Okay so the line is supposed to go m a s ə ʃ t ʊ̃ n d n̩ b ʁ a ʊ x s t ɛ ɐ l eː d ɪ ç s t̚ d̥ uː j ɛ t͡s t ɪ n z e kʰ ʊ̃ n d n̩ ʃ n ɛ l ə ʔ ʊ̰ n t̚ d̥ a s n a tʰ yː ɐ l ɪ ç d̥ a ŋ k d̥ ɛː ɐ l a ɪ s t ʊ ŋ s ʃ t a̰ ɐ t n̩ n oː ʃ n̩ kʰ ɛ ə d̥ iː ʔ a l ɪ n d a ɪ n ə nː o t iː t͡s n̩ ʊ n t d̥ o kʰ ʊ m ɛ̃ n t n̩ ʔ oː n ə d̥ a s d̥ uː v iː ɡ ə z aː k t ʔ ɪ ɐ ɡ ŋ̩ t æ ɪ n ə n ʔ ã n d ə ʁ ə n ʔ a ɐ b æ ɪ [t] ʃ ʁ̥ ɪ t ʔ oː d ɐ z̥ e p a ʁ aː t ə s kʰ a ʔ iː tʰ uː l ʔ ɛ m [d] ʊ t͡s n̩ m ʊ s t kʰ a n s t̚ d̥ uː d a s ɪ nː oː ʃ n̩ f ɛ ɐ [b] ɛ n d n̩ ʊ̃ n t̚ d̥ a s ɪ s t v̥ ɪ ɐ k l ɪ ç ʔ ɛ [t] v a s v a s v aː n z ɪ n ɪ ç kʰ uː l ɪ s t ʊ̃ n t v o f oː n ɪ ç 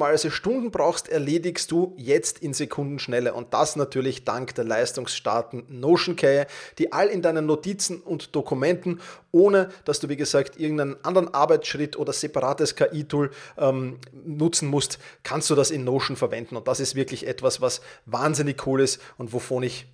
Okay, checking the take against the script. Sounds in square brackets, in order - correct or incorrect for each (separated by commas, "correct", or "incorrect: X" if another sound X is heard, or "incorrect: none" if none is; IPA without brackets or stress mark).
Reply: incorrect: t͡s, incorrect: n, incorrect: v, correct